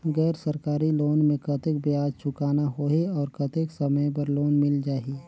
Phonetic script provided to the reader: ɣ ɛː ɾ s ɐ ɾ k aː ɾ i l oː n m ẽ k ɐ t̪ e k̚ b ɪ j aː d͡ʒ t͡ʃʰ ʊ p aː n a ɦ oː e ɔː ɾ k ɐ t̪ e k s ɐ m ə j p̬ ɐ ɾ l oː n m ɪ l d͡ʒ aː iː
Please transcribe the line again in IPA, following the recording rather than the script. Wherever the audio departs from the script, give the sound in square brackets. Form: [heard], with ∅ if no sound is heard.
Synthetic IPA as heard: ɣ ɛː ɾ s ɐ ɾ k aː ɾ i l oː n m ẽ k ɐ t̪ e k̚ b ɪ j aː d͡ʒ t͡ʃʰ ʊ [k] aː n a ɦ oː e ɔː ɾ k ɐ t̪ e k s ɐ m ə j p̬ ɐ ɾ l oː n m ɪ l d͡ʒ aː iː